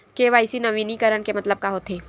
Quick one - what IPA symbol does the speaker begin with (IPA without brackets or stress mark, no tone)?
k